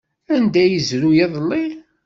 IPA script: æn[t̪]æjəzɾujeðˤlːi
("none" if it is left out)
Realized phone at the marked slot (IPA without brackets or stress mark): d̪